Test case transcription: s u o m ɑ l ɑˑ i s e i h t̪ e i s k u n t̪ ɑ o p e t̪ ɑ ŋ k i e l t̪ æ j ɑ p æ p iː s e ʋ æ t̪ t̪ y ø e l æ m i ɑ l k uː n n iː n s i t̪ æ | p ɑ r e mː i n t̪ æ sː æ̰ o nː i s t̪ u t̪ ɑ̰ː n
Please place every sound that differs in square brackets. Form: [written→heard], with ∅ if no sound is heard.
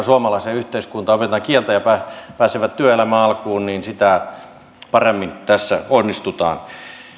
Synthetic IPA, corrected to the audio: s u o m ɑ l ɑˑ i s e [i→y] h t̪ e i s k u n t̪ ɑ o p e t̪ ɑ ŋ k i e l t̪ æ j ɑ p æ p [iː→æː] s e ʋ æ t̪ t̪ y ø e l æ m [i→æ] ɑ l k uː n n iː n s i t̪ æ | p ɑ r e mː i n t̪ æ sː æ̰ o nː i s t̪ u t̪ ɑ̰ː n